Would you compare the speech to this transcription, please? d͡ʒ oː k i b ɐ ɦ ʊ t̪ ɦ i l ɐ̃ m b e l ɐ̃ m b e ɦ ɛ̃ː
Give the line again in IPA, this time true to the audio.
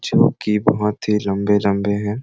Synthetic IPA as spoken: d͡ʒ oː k i b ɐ ɦ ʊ t̪ ɦ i l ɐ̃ m b e l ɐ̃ m b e ɦ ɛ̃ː